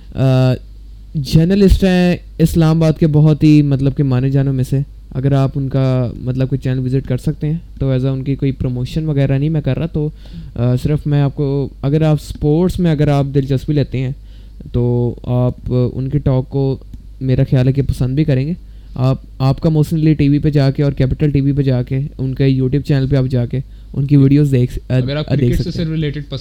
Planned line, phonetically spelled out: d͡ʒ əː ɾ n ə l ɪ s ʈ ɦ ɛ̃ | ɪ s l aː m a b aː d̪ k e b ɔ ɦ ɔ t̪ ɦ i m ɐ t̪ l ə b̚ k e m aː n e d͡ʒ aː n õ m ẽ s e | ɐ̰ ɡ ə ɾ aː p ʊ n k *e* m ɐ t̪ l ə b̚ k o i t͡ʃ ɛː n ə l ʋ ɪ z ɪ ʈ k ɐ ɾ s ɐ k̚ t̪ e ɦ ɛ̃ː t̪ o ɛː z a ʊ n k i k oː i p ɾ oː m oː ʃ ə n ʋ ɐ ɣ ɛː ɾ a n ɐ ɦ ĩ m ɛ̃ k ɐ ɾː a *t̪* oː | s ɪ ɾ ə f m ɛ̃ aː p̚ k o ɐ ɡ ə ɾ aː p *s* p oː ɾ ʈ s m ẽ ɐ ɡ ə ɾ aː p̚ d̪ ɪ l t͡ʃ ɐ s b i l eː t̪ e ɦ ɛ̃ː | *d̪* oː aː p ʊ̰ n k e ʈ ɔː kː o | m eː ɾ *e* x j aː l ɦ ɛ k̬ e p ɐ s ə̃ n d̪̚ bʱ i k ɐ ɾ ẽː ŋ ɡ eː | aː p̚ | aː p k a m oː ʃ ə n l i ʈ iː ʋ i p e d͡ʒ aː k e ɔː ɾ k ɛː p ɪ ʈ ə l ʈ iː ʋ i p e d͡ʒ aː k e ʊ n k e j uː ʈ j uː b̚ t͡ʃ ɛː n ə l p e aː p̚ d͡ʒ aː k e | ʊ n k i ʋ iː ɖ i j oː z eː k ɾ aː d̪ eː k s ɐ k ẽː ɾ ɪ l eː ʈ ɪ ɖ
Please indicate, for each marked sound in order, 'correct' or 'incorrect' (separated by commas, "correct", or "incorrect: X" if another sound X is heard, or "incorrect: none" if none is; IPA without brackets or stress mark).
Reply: incorrect: a, correct, correct, incorrect: t̪, incorrect: a